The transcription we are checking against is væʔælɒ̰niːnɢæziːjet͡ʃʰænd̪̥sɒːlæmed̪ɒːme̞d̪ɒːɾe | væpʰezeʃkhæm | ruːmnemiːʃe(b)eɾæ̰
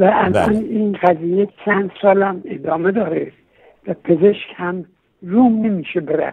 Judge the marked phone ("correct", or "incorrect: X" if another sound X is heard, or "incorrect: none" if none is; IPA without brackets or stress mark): correct